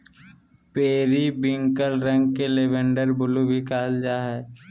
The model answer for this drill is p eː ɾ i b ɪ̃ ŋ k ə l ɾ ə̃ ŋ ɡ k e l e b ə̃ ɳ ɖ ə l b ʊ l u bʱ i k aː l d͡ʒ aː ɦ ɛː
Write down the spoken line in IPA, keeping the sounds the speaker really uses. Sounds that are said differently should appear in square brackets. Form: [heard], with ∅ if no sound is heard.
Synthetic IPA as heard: p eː ɾ i b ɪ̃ ŋ k ə l ɾ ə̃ ŋ ɡ k e l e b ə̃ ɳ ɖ ə [ɾ] b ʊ l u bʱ i k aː l d͡ʒ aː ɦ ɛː